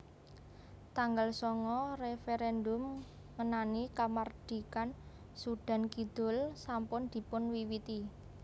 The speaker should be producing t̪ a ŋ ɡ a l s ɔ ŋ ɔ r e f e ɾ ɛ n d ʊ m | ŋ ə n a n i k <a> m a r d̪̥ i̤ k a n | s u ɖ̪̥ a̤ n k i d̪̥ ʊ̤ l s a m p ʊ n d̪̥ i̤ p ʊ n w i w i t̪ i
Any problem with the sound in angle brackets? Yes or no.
no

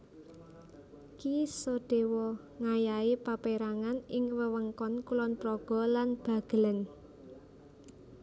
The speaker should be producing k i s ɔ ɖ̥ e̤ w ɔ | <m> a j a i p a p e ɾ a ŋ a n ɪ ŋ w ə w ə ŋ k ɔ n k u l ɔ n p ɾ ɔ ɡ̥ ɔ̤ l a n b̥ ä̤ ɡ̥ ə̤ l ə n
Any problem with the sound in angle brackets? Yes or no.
yes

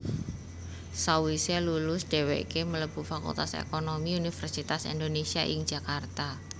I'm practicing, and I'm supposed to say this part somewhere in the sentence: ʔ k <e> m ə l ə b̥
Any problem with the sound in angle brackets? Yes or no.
no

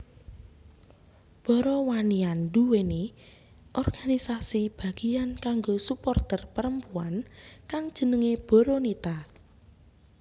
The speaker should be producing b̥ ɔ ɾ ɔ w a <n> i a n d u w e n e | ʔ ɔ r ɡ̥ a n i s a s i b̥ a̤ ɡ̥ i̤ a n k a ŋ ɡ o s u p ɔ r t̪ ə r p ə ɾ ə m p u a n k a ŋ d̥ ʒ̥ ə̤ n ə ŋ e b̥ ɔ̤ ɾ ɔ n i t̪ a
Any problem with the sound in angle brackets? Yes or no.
no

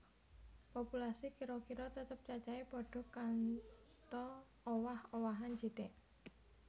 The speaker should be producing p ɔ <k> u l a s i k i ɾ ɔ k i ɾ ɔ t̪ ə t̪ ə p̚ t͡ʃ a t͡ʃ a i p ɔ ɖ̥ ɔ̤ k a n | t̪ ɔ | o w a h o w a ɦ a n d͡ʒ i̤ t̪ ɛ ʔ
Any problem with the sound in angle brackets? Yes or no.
yes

